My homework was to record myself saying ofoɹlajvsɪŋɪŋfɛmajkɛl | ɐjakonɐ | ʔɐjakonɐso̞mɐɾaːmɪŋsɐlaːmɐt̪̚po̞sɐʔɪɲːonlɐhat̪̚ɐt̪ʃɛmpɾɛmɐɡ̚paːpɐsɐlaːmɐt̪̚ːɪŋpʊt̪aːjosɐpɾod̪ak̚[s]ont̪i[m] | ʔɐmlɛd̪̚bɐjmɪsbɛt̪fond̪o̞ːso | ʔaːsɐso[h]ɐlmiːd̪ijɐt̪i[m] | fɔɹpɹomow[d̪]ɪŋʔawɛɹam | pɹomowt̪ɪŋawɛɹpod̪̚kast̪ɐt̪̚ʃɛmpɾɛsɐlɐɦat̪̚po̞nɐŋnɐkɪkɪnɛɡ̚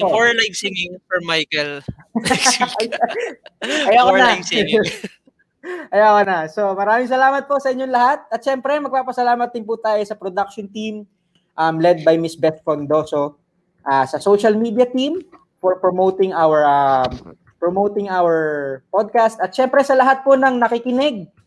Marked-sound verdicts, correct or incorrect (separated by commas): incorrect, correct, incorrect, correct, incorrect